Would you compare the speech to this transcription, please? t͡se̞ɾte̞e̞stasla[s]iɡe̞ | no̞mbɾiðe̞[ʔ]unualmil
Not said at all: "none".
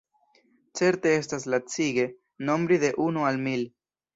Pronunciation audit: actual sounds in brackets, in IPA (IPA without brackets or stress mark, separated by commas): t͡s, ʔ